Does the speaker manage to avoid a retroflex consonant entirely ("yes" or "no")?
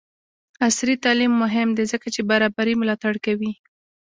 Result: no